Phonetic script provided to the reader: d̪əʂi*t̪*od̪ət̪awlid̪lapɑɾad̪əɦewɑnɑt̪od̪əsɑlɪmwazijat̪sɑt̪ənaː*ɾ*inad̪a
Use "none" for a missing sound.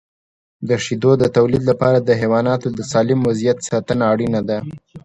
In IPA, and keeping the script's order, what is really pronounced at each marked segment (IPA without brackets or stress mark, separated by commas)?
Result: d̪, ɽ